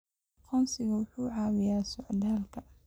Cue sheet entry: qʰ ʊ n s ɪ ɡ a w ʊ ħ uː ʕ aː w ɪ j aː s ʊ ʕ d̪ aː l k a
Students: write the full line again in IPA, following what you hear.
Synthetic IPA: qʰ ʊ n s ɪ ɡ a w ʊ ħ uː ʕ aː w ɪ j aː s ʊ ʕ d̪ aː l k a